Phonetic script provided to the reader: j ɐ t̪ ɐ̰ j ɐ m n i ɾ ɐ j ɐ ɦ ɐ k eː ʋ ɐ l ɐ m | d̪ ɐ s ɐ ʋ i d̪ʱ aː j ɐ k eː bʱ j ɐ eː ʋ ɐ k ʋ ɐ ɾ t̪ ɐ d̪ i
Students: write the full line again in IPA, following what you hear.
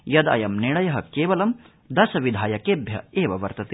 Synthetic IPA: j ɐ d̪ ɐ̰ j ɐ m n i ɭ ɐ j ɐ ɦ ɐ k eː ʋ ɐ l ɐ m | d̪ ɐ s ɐ ʋ i d̪ʱ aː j ɐ k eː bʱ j ɐ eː ʋ ɐ ʋ ɐ ɾ t̪ ɐ t̪ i